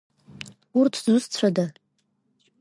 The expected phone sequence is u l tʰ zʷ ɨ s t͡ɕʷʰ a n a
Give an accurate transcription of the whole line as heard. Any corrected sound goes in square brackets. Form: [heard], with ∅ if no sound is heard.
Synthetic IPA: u [r] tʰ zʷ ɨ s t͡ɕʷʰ a [d] a